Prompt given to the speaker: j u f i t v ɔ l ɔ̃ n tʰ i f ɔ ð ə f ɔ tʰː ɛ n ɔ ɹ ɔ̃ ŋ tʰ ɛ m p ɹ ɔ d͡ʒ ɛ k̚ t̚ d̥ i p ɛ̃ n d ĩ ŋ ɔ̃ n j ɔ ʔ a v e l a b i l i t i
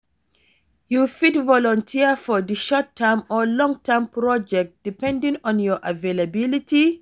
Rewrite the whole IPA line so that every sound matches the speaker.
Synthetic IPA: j u f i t v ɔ l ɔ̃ n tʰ i f ɔ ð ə ʃ ɔ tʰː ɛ m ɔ l ɔ̃ ŋ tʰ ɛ m p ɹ ɔ d͡ʒ ɛ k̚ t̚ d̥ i p ɛ̃ n d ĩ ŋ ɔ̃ n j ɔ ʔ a v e l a b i l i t i